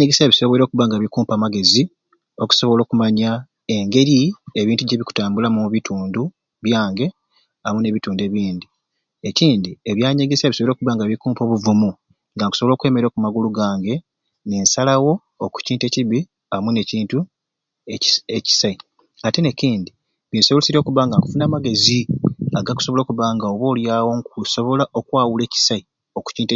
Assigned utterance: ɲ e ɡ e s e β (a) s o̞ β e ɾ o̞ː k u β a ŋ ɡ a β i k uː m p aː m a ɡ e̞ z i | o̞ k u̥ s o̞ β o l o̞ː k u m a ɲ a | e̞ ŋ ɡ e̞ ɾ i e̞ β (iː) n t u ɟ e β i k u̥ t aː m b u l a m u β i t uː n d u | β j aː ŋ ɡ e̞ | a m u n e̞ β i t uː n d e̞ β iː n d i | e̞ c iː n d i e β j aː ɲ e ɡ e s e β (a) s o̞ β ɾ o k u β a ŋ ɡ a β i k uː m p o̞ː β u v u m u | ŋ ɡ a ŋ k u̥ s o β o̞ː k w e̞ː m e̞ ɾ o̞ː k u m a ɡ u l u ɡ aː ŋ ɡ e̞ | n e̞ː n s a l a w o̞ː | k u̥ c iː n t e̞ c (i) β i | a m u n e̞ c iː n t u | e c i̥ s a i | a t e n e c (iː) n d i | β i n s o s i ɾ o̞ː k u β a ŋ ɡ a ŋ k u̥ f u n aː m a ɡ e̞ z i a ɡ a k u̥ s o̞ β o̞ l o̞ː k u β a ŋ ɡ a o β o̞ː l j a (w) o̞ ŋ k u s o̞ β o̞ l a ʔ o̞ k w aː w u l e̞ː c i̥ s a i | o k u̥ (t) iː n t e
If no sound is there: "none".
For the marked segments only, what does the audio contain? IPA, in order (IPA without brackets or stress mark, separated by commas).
i, iː, i, i, iː, w, c